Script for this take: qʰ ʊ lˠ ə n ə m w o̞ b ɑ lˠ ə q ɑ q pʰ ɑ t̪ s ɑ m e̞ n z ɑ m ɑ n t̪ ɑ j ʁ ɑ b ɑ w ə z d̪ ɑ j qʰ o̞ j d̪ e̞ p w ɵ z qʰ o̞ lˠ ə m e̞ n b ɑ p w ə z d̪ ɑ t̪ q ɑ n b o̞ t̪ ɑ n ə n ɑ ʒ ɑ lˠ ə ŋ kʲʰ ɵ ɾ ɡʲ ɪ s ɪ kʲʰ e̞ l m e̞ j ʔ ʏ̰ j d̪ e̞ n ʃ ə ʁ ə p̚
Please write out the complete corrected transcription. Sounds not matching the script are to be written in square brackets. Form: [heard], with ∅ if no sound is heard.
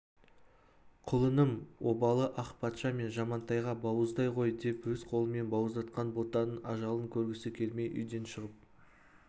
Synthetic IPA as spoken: qʰ ʊ lˠ ə n ə m w o̞ b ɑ lˠ ə [ʔ] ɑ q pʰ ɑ t̪ [ʃ] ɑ m e̞ n [ʒ] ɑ m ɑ n t̪ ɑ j ʁ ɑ b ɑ w ə z d̪ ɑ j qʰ o̞ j d̪ e̞ p w ɵ z qʰ o̞ lˠ ə m e̞ n b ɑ [∅] w ə z d̪ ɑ t̪ q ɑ n b o̞ t̪ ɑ n ə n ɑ ʒ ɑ lˠ ə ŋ kʲʰ ɵ ɾ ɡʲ ɪ s ɪ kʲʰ e̞ l m e̞ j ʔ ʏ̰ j d̪ e̞ n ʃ ə ʁ ə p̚

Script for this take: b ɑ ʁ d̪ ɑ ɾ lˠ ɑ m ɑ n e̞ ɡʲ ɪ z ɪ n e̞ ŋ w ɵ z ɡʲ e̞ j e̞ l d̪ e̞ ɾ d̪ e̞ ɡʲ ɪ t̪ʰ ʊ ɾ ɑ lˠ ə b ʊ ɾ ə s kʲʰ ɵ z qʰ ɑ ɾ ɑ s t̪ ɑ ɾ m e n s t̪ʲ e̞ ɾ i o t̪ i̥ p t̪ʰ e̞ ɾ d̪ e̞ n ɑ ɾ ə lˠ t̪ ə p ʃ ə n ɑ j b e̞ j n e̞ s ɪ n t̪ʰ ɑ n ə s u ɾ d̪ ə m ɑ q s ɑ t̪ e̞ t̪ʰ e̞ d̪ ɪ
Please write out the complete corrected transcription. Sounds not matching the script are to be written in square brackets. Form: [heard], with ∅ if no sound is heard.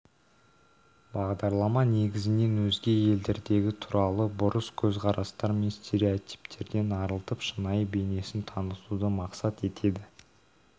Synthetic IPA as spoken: b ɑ ʁ d̪ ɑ ɾ lˠ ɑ m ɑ n e̞ ɡʲ ɪ z ɪ n e̞ [n] w ɵ z ɡʲ e̞ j e̞ l d̪ e̞ ɾ d̪ e̞ ɡʲ ɪ t̪ʰ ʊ ɾ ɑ lˠ ə b ʊ ɾ ə s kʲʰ ɵ z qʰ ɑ ɾ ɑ s t̪ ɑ ɾ m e n s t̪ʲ e̞ ɾ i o t̪ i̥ p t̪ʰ e̞ ɾ d̪ e̞ n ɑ ɾ ə lˠ t̪ ə p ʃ ə n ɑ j b e̞ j n e̞ s ɪ n t̪ʰ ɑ n ə s u [∅] d̪ ə m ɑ q s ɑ t̪ e̞ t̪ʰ e̞ d̪ ɪ

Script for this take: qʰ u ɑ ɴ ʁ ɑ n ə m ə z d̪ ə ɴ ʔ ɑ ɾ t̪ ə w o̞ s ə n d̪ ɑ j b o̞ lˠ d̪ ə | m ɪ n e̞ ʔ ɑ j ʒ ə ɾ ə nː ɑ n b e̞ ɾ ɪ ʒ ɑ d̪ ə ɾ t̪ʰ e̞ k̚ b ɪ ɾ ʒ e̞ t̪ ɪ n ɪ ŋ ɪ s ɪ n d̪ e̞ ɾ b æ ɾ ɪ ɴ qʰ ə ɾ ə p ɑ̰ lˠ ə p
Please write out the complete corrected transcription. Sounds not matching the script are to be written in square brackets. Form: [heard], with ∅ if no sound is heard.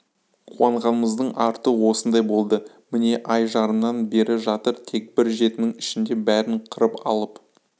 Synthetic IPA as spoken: qʰ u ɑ ɴ ʁ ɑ n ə m ə z d̪ ə ɴ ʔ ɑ ɾ t̪ ə w o̞ s ə n d̪ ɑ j b o̞ lˠ d̪ ə | m ɪ n e̞ ʔ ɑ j ʒ [ɑ] ɾ ə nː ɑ n b e̞ ɾ ɪ ʒ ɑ [t̪] ə ɾ t̪ʰ e̞ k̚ b ɪ ɾ ʒ e̞ t̪ ɪ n ɪ ŋ ɪ [ʃ] ɪ n d̪ e̞ [∅] b æ ɾ ɪ ɴ qʰ ə ɾ ə p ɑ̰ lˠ ə p

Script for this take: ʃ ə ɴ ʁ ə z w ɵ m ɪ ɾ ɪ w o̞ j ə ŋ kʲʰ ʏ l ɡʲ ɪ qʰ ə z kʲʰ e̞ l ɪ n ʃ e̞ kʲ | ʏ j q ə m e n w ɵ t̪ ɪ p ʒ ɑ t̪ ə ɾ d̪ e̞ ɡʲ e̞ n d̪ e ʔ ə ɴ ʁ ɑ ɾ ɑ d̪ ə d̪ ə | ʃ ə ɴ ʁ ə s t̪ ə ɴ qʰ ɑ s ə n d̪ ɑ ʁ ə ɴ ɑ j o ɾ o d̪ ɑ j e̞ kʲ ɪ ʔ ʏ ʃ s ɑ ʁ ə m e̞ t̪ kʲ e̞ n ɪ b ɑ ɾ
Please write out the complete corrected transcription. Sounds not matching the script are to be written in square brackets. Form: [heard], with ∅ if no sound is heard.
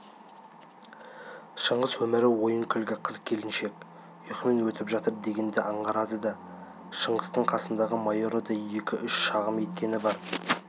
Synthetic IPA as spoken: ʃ ə ɴ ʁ ə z w ɵ m ɪ ɾ ɪ w o̞ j ə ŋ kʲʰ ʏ l ɡʲ ɪ qʰ ə z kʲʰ e̞ l ɪ n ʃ e̞ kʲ | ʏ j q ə m e n w ɵ t̪ ɪ p ʒ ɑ t̪ ə ɾ d̪ e̞ ɡʲ e̞ n d̪ e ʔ [ɑ] ɴ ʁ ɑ ɾ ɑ d̪ ə d̪ [ɑ] | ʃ ə ɴ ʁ ə s t̪ ə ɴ qʰ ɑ s ə n d̪ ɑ ʁ ə [m] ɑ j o ɾ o d̪ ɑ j e̞ kʲ ɪ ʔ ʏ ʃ [ʃ] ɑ ʁ ə m e̞ t̪ kʲ e̞ n ɪ b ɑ ɾ

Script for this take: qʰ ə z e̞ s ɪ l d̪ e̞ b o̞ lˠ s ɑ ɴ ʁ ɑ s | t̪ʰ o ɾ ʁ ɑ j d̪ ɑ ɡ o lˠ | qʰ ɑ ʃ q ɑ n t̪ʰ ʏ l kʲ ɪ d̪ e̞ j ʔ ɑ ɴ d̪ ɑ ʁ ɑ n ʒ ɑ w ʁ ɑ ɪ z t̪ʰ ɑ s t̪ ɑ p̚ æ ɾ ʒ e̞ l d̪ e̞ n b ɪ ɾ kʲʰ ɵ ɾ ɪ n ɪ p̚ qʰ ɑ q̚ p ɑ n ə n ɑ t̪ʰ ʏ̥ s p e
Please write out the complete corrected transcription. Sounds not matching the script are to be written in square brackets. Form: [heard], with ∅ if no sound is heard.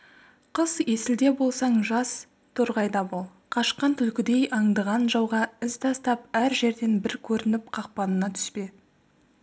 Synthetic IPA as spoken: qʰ ə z e̞ s ɪ l d̪ e̞ b o̞ lˠ s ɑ ɴ [ʒ] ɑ s | t̪ʰ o ɾ ʁ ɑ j d̪ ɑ [b] o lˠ | qʰ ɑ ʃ q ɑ n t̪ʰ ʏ l kʲ ɪ d̪ e̞ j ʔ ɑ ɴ d̪ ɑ ʁ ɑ n ʒ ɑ w ʁ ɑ ɪ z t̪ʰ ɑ s t̪ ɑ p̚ æ ɾ ʒ e̞ [ɾ] d̪ e̞ n b ɪ ɾ kʲʰ ɵ ɾ ɪ n ɪ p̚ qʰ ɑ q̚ p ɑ n ə n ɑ t̪ʰ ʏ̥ s p e

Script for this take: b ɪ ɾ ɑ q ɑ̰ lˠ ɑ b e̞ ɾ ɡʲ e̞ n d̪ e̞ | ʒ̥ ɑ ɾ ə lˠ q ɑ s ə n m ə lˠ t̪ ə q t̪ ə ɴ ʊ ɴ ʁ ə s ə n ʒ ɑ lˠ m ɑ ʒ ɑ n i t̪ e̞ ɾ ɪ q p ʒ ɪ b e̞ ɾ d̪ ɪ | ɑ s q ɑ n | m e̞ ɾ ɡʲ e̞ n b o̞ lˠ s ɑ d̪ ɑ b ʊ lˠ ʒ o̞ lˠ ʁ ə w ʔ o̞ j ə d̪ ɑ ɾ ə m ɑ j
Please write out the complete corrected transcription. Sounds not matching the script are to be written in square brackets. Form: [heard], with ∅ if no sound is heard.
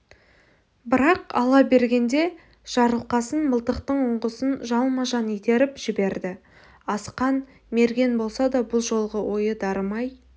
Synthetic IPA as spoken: b ɪ ɾ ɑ q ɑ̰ lˠ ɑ b e̞ ɾ ɡʲ e̞ n d̪ e̞ | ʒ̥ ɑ ɾ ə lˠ q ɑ s ə n m ə lˠ t̪ ə q t̪ ə ɴ ʊ ɴ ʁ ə s ə n ʒ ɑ lˠ m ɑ ʒ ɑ n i t̪ e̞ ɾ ɪ [∅] p ʒ ɪ b e̞ ɾ d̪ ɪ | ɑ s q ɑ n | m e̞ ɾ ɡʲ e̞ n b o̞ lˠ s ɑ d̪ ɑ b ʊ lˠ ʒ o̞ lˠ ʁ ə w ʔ o̞ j ə d̪ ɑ ɾ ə m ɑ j

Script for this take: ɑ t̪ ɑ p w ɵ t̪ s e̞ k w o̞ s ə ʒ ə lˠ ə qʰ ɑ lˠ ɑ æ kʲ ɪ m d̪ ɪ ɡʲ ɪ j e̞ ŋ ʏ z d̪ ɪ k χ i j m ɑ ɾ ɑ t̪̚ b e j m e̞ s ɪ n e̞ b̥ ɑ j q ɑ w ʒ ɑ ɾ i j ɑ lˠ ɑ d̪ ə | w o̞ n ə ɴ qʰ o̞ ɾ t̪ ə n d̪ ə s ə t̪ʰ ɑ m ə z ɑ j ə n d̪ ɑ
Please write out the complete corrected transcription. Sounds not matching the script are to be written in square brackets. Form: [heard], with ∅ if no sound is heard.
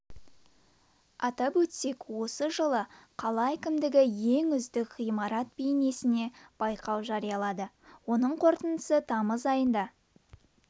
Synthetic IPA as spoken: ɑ t̪ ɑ p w ɵ t̪ s e̞ k w o̞ s ə ʒ ə lˠ ə qʰ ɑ lˠ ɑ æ kʲ ɪ m d̪ ɪ ɡʲ ɪ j e̞ ŋ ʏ z d̪ ɪ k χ i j m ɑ ɾ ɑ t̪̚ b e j [n] e̞ s ɪ n e̞ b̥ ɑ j q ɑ w ʒ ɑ ɾ i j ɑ lˠ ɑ d̪ ə | w o̞ n ə ɴ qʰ o̞ ɾ t̪ ə n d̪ ə s ə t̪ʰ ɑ m ə z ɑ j ə n d̪ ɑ

